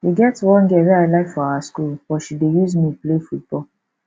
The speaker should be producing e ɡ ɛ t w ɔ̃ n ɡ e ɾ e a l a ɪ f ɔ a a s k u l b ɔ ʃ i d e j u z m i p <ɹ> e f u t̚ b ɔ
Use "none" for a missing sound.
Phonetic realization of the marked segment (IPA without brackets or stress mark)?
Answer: l